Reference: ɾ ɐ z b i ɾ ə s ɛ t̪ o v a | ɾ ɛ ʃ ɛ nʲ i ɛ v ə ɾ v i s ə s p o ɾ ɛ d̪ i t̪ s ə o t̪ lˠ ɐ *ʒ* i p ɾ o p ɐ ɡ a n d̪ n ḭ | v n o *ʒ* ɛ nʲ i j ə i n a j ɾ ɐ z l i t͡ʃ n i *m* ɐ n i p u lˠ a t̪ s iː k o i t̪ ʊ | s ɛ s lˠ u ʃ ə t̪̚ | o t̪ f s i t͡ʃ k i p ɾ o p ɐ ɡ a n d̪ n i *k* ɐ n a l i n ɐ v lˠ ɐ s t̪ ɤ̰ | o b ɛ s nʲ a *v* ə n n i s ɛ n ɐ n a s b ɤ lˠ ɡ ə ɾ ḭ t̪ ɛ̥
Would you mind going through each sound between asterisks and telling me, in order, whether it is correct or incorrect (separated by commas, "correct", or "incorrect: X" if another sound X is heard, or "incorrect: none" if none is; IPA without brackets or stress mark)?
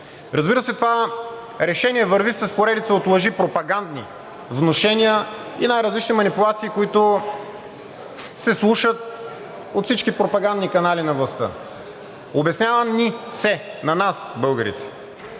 correct, incorrect: ʃ, correct, correct, correct